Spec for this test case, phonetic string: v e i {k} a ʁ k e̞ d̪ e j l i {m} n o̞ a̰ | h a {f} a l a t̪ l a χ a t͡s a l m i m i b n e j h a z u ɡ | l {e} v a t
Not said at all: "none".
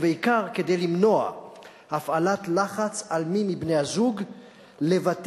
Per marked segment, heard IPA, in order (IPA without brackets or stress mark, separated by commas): k, m, f, e